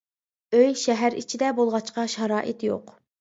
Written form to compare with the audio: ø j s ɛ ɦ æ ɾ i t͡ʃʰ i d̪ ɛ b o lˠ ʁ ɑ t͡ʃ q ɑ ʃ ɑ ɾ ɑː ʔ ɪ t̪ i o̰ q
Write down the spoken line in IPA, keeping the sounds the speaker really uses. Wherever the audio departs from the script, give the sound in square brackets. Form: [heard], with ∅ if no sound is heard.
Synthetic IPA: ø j [ʃ] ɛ ɦ æ ɾ i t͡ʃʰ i d̪ ɛ b o lˠ ʁ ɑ t͡ʃ q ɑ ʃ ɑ ɾ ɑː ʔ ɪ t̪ [j] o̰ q